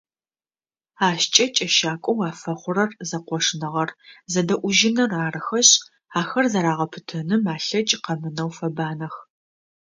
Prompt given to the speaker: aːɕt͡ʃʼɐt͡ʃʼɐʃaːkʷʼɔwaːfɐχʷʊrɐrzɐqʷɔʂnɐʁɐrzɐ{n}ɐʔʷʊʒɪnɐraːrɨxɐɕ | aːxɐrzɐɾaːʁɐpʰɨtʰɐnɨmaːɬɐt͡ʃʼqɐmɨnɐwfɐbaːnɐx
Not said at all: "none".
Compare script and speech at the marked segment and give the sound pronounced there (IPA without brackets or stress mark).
d